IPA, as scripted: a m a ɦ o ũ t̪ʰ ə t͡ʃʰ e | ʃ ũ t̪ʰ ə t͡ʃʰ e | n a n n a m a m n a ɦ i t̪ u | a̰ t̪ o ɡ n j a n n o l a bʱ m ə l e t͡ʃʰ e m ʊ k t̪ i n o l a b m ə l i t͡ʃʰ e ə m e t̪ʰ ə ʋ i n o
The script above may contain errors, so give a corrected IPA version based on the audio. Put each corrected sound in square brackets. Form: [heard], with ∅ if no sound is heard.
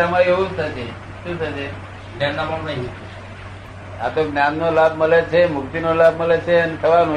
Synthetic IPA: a m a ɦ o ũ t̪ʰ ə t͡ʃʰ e | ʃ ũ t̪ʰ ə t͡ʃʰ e | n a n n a m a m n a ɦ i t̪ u | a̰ t̪ o ɡ n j a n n o l a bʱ m ə l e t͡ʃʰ e m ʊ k t̪ i n o l a b m ə l [e] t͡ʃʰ e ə [n] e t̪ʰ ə ʋ [a] n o